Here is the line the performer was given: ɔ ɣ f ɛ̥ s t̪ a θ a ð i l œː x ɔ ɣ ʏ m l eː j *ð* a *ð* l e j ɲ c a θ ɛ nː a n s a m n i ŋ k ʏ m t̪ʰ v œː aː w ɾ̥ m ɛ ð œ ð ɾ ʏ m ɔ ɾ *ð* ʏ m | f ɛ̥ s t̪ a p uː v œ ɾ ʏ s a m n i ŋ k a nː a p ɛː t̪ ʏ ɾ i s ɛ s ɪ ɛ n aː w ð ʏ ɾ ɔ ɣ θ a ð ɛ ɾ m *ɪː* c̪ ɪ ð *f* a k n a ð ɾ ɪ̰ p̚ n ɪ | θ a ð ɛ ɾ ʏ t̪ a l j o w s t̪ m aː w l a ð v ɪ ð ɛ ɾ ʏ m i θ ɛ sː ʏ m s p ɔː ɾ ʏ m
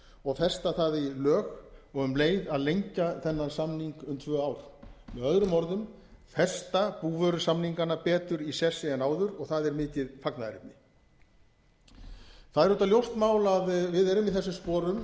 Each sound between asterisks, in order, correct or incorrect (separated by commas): correct, correct, correct, correct, correct